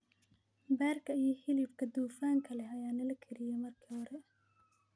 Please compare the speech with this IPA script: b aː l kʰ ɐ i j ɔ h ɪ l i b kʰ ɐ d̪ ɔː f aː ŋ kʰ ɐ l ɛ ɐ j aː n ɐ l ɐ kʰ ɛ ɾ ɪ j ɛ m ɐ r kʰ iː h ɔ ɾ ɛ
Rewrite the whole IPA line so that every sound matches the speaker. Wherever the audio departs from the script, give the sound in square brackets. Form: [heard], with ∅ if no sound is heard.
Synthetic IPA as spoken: b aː [r] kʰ ɐ i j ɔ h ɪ l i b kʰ ɐ d̪ [uː] f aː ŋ kʰ ɐ l ɛ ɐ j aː n ɐ l ɐ kʰ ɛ ɾ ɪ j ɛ m ɐ r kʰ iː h ɔ ɾ ɛ

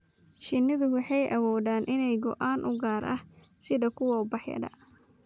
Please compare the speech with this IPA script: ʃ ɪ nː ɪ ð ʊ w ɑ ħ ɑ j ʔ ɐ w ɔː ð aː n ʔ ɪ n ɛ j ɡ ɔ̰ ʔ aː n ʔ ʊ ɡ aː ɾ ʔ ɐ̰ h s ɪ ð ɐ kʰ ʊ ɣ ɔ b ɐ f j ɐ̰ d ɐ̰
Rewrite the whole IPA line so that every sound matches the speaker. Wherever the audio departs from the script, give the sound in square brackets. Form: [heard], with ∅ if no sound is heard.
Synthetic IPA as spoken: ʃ ɪ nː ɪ ð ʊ w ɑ ħ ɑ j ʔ ɐ w ɔː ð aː n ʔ ɪ n ɛ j ɡ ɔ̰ ʔ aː n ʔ ʊ ɡ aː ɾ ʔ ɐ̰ h s ɪ ð ɐ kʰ ʊ [w] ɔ b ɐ [ħ] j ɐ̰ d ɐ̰

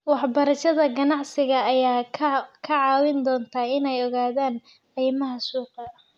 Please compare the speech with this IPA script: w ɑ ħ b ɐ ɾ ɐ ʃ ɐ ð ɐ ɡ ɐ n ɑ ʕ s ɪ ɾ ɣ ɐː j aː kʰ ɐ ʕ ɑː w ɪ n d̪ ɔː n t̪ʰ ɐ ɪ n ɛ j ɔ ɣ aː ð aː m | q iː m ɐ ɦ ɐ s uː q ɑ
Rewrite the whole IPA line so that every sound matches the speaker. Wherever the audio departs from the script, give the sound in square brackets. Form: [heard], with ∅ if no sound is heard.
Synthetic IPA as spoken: w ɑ ħ b ɐ ɾ ɐ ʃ ɐ ð ɐ ɡ ɐ n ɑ ʕ s ɪ [∅] ɣ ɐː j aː kʰ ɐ ʕ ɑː w ɪ n d̪ ɔː n t̪ʰ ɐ ɪ n ɛ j ɔ ɣ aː ð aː [n] | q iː m ɐ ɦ ɐ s uː q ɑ

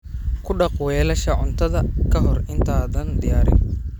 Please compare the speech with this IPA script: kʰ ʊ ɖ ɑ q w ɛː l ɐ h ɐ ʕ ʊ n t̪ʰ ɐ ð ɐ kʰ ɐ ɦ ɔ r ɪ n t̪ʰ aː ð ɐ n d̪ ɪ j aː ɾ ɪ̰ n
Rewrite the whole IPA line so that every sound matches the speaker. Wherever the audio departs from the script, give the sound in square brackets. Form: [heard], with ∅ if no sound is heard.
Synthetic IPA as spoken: kʰ ʊ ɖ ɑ q w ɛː l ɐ [ʃ] ɐ ʕ ʊ n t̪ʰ ɐ ð ɐ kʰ ɐ ɦ ɔ r ɪ n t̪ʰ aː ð ɐ n d̪ ɪ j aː ɾ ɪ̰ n

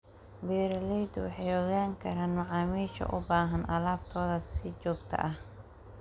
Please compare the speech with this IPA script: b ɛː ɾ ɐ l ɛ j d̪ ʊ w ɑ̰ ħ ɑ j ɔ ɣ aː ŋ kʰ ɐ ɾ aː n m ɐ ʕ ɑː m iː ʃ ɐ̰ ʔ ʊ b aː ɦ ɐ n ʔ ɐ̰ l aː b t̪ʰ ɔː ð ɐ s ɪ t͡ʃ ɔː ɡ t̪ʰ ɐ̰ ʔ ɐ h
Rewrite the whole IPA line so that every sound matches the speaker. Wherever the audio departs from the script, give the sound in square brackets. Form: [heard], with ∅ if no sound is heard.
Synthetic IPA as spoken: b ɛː ɾ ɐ l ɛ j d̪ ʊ w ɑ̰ ħ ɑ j ɔ ɣ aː ŋ kʰ ɐ ɾ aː n m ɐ ʕ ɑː m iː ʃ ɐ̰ ʔ ʊ b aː ɦ ɐ n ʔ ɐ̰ l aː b t̪ʰ ɔː ð ɐ s ɪ t͡ʃ ɔː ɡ t̪ʰ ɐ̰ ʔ ɐ h

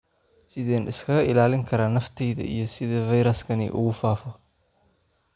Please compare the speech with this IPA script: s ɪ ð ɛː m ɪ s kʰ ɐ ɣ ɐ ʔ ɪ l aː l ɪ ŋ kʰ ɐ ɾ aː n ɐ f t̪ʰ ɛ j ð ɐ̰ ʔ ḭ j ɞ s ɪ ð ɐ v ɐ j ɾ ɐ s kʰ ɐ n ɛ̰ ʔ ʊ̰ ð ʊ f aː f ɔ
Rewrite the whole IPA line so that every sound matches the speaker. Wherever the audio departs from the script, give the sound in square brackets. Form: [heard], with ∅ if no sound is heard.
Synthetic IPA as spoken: s ɪ ð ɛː [n] ɪ s kʰ ɐ ɣ ɐ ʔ ɪ l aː l ɪ ŋ kʰ ɐ ɾ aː n ɐ f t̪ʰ ɛ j ð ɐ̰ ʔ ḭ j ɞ s ɪ ð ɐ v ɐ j ɾ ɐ s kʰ ɐ n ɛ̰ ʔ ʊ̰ [ɣ] ʊ f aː f ɔ

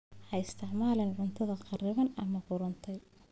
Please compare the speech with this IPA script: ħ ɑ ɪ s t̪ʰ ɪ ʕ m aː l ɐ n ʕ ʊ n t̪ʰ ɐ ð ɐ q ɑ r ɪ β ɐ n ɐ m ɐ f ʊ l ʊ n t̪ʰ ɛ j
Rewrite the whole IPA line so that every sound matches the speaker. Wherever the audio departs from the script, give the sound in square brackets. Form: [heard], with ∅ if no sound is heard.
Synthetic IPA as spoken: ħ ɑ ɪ s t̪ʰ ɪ ʕ m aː l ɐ n ʕ ʊ n t̪ʰ ɐ ð ɐ q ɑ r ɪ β ɐ n ɐ m ɐ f ʊ [ɾ] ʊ n t̪ʰ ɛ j

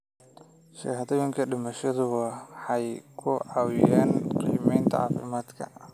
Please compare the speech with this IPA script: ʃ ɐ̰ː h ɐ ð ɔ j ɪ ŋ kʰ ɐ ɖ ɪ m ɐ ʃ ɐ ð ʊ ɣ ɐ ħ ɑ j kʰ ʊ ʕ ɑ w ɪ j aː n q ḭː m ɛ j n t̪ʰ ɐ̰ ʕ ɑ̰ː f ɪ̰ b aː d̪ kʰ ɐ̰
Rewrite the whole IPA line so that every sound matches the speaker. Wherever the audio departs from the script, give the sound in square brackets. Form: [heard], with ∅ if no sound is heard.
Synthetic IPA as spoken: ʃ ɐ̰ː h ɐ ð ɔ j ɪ ŋ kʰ ɐ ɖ ɪ m ɐ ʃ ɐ ð ʊ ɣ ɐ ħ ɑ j kʰ ʊ ʕ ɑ w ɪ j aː n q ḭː m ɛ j n t̪ʰ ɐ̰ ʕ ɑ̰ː f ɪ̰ [m] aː d̪ kʰ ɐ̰

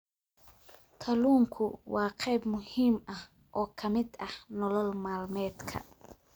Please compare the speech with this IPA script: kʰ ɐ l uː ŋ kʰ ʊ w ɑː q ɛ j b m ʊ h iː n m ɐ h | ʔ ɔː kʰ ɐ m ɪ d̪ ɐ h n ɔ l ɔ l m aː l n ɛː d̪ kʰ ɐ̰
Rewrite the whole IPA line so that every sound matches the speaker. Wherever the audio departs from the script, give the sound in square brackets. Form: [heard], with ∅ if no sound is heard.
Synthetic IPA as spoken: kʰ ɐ l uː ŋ kʰ ʊ w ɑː q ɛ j b m ʊ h iː [∅] m ɐ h | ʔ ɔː kʰ ɐ m ɪ d̪ ɐ h n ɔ l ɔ l m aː l [m] ɛː d̪ kʰ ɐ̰

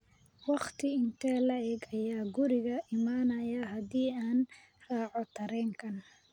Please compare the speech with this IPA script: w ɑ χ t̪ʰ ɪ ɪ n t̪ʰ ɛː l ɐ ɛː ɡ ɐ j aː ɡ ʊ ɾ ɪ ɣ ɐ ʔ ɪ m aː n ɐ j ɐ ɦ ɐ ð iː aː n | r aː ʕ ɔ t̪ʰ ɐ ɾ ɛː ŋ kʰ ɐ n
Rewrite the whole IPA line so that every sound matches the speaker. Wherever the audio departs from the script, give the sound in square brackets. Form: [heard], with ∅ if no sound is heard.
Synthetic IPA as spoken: w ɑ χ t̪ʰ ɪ ɪ n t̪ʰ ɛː l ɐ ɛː ɡ ɐ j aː ɡ ʊ ɾ ɪ ɣ ɐ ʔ ɪ m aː n ɐ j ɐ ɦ ɐ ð iː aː n | r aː ʕ ɔ t̪ʰ ɐ ɾ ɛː ŋ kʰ ɐ n

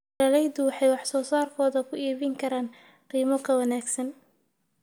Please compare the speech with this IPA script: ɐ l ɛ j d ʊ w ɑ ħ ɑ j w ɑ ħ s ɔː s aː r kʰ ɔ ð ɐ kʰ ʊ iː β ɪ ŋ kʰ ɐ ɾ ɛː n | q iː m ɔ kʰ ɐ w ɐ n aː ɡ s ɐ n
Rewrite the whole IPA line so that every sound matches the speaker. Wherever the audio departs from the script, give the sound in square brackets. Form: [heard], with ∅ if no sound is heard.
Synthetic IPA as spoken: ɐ l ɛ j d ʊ w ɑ ħ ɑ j w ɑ ħ s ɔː s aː r kʰ [ɔː] ð ɐ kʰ ʊ iː β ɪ ŋ kʰ ɐ ɾ [aː] n | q iː m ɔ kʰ ɐ w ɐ n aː ɡ s ɐ n

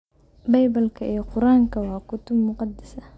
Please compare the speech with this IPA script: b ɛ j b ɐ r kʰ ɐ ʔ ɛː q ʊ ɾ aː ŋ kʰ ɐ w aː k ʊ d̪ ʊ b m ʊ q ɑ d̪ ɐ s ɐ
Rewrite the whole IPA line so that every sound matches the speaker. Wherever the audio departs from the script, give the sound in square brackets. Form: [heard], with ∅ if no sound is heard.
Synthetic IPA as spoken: b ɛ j b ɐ [l] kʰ ɐ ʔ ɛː q ʊ ɾ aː ŋ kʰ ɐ w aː k ʊ [t̪] ʊ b m ʊ q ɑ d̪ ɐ s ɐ

